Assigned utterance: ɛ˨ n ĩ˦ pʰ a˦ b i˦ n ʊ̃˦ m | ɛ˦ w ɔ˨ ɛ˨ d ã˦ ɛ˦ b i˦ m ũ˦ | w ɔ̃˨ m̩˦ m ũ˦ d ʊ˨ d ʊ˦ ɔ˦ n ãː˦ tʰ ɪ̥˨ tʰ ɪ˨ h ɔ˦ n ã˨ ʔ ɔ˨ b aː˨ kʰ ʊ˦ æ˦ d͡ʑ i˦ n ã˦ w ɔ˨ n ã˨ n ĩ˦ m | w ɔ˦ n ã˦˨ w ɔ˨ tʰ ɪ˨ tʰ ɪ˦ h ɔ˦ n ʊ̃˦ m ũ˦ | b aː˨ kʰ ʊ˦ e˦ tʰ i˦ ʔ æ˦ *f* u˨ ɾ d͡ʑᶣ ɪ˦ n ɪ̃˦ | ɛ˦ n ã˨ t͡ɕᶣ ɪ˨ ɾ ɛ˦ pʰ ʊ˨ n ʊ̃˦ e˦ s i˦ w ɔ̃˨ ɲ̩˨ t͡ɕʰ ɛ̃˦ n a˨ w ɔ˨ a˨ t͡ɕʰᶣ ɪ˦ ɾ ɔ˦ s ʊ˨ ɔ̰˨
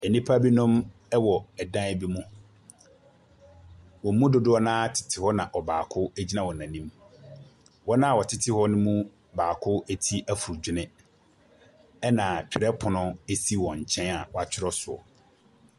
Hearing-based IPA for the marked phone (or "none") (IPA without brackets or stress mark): f